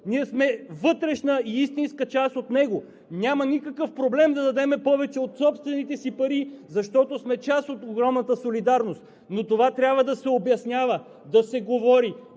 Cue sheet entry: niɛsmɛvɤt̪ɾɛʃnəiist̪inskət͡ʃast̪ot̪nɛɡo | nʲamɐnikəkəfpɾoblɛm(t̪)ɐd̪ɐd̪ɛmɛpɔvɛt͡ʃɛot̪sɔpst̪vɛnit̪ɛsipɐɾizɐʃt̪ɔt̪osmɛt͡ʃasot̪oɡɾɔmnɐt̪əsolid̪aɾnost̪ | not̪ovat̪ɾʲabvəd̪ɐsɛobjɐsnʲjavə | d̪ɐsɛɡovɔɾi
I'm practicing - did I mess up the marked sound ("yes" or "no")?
yes